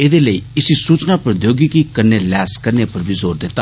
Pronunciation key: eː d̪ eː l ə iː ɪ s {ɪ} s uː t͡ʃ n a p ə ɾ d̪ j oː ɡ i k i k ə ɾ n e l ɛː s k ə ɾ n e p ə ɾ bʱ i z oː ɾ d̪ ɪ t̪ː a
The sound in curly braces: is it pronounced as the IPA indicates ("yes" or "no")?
no